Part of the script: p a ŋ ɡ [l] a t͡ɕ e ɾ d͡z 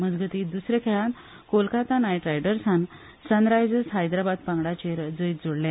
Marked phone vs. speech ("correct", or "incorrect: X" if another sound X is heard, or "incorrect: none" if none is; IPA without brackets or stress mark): incorrect: ɽ